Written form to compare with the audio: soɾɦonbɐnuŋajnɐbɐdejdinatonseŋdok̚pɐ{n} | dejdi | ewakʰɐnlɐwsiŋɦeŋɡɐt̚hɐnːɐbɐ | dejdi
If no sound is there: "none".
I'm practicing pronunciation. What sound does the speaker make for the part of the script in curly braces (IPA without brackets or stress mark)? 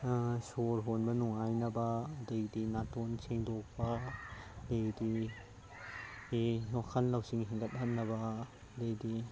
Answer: none